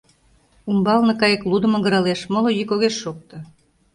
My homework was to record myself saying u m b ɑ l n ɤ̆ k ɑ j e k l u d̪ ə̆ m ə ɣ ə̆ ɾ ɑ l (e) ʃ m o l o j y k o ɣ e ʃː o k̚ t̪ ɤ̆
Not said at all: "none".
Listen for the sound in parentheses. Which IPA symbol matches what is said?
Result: e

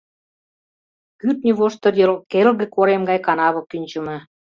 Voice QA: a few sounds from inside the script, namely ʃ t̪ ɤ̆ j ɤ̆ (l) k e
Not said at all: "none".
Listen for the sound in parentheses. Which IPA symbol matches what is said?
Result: l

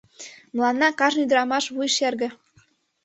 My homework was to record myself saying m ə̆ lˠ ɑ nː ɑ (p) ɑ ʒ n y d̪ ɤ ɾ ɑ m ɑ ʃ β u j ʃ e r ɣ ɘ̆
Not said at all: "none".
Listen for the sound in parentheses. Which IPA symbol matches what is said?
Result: k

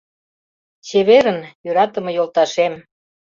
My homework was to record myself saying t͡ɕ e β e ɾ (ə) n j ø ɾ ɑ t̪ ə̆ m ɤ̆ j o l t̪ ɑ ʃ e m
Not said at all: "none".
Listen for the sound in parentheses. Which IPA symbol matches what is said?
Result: ə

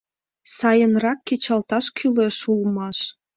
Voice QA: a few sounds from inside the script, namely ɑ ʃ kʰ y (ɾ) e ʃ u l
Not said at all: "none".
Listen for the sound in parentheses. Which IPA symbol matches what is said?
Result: l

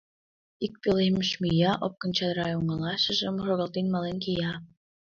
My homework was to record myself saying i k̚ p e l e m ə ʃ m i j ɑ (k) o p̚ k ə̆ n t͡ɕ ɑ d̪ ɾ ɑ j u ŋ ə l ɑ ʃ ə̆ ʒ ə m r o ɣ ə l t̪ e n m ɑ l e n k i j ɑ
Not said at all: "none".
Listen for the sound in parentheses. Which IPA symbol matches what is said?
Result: ʔ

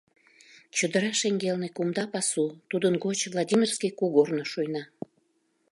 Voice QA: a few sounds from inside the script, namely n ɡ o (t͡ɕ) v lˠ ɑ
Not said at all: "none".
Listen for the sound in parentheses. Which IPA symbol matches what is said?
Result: t͡ɕ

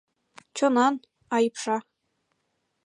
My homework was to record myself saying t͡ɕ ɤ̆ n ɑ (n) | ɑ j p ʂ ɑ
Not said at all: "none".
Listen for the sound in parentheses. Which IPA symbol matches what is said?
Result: n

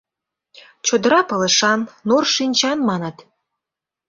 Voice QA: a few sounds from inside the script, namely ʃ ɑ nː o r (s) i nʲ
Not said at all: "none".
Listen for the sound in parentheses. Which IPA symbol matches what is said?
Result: ʃ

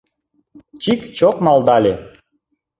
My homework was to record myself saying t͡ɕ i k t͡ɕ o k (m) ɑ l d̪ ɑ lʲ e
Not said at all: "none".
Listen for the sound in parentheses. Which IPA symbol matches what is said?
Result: m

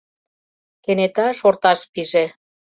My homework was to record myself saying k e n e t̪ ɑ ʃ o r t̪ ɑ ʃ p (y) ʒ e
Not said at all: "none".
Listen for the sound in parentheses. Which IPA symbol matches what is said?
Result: i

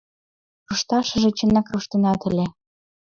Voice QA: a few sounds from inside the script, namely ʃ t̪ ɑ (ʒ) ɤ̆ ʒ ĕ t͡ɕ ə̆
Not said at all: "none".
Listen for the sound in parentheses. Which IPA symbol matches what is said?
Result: ʃ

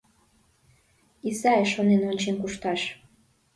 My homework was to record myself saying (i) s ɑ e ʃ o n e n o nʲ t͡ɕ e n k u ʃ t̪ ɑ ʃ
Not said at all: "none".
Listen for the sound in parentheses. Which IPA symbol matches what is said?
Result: i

